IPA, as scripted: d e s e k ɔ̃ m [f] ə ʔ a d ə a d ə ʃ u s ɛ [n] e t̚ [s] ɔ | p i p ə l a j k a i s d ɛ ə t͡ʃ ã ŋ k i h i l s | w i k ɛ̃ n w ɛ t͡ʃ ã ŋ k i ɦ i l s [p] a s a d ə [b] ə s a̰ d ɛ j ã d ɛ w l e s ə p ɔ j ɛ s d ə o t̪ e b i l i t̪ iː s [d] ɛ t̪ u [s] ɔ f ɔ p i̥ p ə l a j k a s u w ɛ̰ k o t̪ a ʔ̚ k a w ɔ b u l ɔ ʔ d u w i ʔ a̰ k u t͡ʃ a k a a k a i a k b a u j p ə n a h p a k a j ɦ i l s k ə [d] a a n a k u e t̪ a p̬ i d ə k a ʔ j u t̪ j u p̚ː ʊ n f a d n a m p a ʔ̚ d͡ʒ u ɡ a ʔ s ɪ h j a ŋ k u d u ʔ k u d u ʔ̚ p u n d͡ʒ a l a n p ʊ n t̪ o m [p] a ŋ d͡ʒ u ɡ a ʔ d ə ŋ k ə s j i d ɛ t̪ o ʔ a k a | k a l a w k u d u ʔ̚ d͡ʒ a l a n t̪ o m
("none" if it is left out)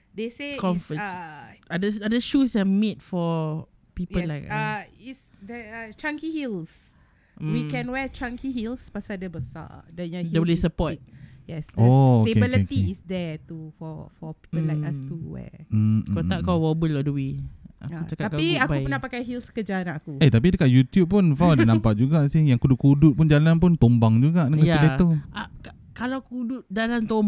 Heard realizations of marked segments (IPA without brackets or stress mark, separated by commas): f, m, f, p, b, d, f, d͡ʒ, b